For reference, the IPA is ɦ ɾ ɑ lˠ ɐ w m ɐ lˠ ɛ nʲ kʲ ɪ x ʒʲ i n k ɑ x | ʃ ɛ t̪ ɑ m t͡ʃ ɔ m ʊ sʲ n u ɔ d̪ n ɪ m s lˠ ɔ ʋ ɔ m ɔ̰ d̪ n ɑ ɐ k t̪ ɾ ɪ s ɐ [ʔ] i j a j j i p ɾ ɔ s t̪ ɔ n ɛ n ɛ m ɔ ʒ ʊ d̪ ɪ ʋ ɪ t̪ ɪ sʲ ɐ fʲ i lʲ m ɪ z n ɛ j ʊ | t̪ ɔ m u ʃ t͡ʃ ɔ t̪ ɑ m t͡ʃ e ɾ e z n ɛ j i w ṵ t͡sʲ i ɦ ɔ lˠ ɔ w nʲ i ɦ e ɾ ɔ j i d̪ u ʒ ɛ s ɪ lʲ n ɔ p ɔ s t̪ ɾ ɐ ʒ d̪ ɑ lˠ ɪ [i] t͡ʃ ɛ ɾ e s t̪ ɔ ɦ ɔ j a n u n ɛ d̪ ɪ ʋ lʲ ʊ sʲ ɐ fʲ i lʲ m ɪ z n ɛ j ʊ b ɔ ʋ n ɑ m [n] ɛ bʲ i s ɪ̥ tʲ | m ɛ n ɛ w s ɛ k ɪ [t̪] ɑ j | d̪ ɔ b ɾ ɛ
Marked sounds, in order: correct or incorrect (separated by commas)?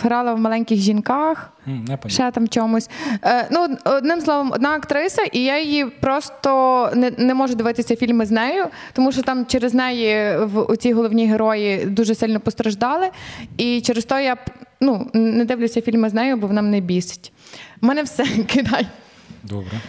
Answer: correct, correct, correct, incorrect